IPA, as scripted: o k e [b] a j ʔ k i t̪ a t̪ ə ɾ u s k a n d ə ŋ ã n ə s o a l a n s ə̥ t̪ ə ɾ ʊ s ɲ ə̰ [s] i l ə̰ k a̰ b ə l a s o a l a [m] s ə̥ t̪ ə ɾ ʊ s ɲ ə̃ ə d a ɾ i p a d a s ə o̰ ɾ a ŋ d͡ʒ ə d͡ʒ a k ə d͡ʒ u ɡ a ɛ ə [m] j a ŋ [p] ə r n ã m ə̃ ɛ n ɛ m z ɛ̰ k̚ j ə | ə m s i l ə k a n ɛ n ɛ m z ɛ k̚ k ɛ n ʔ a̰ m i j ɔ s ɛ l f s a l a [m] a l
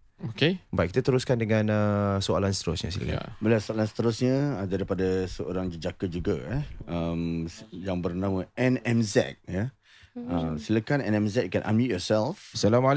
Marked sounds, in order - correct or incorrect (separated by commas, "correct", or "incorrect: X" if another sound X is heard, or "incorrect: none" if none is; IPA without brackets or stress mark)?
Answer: correct, correct, incorrect: n, correct, incorrect: b, correct